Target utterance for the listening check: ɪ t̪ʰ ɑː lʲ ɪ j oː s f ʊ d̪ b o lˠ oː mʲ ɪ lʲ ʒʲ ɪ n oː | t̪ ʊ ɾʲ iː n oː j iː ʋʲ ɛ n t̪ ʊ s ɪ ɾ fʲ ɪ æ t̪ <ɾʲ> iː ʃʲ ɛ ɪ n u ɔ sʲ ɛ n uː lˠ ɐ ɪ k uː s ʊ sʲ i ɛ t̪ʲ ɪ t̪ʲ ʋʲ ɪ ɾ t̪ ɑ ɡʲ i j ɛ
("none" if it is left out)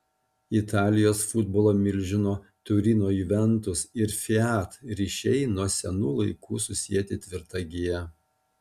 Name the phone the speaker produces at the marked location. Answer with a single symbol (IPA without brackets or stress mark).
ɾʲ